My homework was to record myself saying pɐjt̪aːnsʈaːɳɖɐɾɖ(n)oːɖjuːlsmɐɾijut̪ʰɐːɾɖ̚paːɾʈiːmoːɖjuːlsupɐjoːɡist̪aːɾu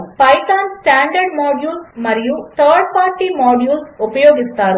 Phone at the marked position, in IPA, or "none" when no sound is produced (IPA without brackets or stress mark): m